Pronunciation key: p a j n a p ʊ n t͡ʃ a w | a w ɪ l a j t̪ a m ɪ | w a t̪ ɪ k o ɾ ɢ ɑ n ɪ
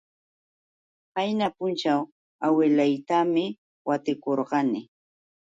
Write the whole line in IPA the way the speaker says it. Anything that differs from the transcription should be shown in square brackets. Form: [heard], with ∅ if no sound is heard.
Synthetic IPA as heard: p a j n a p ʊ n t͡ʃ a w | a w ɪ l a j t̪ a m ɪ | w a t̪ ɪ k o ɾ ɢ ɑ n ɪ

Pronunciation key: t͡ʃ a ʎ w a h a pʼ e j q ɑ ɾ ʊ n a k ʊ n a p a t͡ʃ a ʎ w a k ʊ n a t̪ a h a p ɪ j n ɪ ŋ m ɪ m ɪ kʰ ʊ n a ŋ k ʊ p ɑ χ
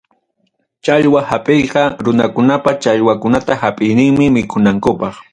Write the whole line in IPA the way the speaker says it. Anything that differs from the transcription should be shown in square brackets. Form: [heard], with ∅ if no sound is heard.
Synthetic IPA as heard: t͡ʃ a ʎ w a h a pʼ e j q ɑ ɾ ʊ n a k ʊ n a p a t͡ʃ a ʎ w a k ʊ n a t̪ a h a [pʼ] ɪ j n ɪ ŋ m ɪ m ɪ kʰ ʊ n a ŋ k ʊ p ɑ χ

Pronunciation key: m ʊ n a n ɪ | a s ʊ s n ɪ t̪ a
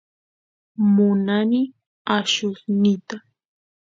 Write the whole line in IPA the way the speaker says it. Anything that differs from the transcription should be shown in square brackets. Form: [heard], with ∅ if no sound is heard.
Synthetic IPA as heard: m ʊ n a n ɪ | a [ʃ] ʊ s n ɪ t̪ a

